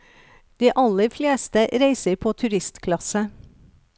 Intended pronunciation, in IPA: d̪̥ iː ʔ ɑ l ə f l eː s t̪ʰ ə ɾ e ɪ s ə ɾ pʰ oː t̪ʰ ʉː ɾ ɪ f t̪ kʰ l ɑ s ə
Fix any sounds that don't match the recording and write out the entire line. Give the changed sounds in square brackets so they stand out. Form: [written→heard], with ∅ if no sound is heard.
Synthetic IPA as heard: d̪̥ iː ʔ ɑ l ə f l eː s [t̪ʰ→t̪] ə ɾ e ɪ s ə ɾ pʰ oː t̪ʰ [ʉː→ʉ] ɾ ɪ [f→s] t̪ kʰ l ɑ s ə

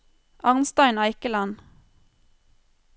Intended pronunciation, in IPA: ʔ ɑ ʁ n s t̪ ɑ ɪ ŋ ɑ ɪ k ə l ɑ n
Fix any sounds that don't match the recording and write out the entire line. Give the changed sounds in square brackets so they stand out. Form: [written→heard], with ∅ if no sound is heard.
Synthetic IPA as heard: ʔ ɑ ʁ n s t̪ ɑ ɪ [ŋ→n] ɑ ɪ k ə l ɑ n

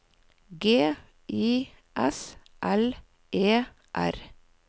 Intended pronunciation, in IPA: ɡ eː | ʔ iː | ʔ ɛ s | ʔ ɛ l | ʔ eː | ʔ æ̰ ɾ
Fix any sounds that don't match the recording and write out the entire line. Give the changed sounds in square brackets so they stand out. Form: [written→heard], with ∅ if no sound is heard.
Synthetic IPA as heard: ɡ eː | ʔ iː | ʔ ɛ s | ʔ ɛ l | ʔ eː | ʔ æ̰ ɾ

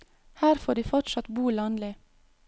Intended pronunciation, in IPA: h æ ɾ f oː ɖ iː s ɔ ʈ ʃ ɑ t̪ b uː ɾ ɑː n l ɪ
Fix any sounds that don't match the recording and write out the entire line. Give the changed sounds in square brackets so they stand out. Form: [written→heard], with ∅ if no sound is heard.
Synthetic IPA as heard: h [æ→æː] ɾ f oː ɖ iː [s→f] ɔ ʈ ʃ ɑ t̪ b uː [ɾ→l] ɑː n l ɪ

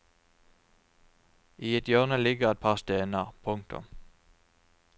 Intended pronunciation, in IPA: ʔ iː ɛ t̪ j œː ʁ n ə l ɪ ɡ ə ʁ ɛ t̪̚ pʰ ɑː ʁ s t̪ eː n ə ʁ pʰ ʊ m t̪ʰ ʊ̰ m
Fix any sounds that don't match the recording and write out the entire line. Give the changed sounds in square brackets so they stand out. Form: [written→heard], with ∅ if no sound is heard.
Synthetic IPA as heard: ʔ iː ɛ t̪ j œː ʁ n ə l ɪ ɡ ə ʁ ɛ t̪̚ pʰ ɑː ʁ s t̪ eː n ə ʁ pʰ ʊ [m→ŋ] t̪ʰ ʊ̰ m

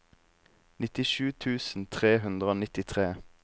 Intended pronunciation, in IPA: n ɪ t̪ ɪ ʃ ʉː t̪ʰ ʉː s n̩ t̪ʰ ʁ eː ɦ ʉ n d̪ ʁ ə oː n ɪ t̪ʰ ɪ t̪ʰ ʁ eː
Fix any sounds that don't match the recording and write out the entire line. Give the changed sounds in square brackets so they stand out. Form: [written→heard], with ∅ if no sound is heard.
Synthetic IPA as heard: n ɪ t̪ ɪ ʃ ʉː t̪ʰ ʉː s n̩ t̪ʰ ʁ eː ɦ ʉ n d̪ ʁ ə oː n ɪ [t̪ʰ→t̪] ɪ t̪ʰ ʁ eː

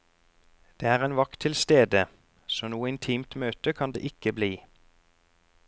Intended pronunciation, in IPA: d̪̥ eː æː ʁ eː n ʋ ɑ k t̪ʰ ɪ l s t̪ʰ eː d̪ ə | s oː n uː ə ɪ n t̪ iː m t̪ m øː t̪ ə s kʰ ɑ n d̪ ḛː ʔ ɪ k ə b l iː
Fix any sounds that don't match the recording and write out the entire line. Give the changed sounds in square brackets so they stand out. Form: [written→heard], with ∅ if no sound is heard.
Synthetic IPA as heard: d̪̥ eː æː ʁ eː n ʋ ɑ k t̪ʰ ɪ l s [t̪ʰ→t̪] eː d̪ ə | s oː n uː ə ɪ n [t̪→t̪ʰ] iː m t̪ m øː t̪ ə [s→∅] kʰ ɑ n d̪ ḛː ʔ ɪ k ə b l iː

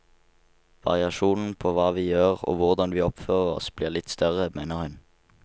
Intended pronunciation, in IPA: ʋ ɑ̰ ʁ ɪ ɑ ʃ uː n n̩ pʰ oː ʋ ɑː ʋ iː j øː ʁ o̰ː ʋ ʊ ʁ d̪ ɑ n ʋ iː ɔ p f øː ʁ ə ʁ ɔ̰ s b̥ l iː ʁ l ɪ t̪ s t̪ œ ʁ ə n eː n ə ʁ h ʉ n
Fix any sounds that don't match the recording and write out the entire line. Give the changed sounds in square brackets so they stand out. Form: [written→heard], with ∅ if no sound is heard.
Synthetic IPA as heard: ʋ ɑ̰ ʁ ɪ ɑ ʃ uː n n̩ pʰ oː ʋ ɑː ʋ iː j øː ʁ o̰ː ʋ ʊ ʁ d̪ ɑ n ʋ iː ɔ p f øː ʁ ə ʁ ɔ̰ s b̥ l iː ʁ l ɪ t̪ s t̪ œ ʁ ə [n→m] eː n ə ʁ h ʉ n

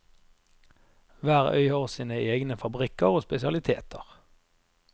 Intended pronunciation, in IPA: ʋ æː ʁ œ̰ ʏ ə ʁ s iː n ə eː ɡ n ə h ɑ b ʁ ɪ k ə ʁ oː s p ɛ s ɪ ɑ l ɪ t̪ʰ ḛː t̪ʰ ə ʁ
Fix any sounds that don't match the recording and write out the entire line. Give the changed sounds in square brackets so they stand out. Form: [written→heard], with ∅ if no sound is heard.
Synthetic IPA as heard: ʋ æː ʁ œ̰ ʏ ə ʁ s iː n ə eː ɡ n ə [h→f] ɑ b ʁ ɪ k ə ʁ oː s p ɛ s ɪ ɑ l ɪ t̪ʰ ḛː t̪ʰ ə ʁ

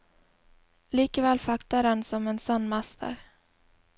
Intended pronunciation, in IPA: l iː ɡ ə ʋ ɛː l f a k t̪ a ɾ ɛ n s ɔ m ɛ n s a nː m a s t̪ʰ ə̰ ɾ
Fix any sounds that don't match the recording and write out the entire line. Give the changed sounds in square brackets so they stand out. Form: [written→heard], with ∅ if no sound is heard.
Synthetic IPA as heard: l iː [ɡ→k] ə [ʋ→v] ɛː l f a k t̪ a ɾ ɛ n s ɔ m ɛ n s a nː m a s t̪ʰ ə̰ ɾ

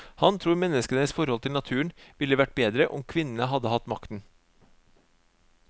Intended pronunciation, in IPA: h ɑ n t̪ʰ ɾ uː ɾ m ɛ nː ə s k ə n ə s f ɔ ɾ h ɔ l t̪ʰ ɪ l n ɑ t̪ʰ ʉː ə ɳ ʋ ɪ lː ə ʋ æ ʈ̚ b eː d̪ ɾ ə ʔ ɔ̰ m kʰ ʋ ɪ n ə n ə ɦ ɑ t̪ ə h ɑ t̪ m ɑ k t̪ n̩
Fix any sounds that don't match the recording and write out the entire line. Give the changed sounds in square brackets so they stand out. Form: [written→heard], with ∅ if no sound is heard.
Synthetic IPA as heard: h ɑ n t̪ʰ ɾ uː ɾ m ɛ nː ə s k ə n ə s f ɔ ɾ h ɔ l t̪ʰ ɪ l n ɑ t̪ʰ ʉː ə ɳ ʋ ɪ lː ə ʋ æ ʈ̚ b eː d̪ ɾ ə ʔ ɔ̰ m kʰ ʋ ɪ n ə n ə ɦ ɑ [t̪→d̪] ə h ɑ t̪ m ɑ k t̪ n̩

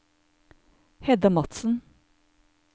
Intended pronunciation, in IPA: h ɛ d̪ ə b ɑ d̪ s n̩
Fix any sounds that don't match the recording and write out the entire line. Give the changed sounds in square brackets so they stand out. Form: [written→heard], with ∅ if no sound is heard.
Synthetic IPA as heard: h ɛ d̪ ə [b→m] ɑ [d̪→t̪] s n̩

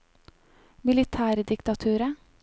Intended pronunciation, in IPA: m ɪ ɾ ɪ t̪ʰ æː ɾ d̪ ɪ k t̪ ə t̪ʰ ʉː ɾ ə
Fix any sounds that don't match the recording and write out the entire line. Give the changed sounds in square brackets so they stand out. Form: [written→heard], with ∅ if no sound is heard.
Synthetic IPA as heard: m ɪ [ɾ→l] ɪ t̪ʰ æː ɾ d̪ ɪ k t̪ [ə→ɑ] t̪ʰ ʉː ɾ ə

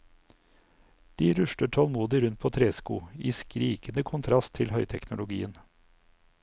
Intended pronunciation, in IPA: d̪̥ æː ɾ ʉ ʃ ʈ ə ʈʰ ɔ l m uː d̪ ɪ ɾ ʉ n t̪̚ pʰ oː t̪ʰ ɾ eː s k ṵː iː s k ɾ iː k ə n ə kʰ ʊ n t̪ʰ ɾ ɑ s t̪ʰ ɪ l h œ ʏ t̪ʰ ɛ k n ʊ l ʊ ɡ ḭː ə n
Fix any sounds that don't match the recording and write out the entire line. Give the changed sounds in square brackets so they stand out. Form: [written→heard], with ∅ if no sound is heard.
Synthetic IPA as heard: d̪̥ [æː→iː] ɾ ʉ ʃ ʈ ə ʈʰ ɔ l m uː d̪ ɪ ɾ ʉ n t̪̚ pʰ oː t̪ʰ ɾ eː s k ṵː iː s k ɾ iː k ə n ə kʰ ʊ n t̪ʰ ɾ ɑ s t̪ʰ ɪ l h œ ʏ t̪ʰ ɛ k n ʊ l ʊ ɡ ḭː ə n

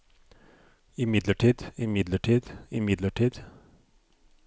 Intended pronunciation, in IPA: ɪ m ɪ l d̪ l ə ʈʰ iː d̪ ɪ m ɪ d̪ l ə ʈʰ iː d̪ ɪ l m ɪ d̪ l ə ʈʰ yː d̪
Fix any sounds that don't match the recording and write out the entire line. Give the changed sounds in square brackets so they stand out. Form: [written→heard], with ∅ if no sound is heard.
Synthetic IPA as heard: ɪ m ɪ [l→∅] d̪ l ə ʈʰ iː d̪ ɪ m ɪ d̪ l ə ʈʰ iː d̪ ɪ [l→∅] m ɪ d̪ l ə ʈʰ [yː→iː] d̪

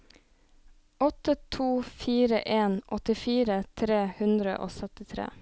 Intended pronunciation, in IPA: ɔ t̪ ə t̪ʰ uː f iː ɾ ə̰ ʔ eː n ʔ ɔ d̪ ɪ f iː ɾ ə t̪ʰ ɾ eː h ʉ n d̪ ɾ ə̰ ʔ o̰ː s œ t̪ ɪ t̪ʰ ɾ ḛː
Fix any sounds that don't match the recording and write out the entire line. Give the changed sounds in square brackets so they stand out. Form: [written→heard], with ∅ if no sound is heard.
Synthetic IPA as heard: ɔ t̪ ə t̪ʰ uː f iː ɾ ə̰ ʔ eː n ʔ ɔ [d̪→t̪] ɪ f iː ɾ ə t̪ʰ ɾ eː h ʉ n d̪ ɾ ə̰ ʔ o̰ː s œ t̪ ɪ t̪ʰ ɾ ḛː

